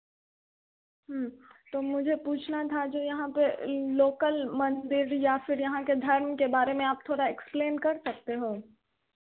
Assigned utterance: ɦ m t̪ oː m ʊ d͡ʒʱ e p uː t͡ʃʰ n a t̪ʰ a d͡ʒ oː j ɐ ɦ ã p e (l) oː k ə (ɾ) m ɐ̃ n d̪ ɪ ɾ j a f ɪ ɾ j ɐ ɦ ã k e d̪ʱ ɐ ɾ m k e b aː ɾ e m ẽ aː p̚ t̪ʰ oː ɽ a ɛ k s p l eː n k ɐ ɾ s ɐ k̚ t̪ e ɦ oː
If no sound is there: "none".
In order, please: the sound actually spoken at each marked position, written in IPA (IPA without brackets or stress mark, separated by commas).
l, l